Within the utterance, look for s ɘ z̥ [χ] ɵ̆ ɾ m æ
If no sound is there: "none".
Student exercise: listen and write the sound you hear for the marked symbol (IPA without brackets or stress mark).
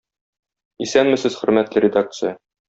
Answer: χ